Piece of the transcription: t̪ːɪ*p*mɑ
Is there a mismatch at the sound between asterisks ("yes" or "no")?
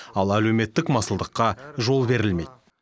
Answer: yes